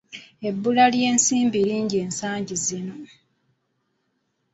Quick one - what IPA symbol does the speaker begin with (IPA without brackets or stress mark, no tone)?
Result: e̞